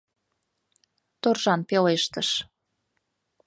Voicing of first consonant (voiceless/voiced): voiceless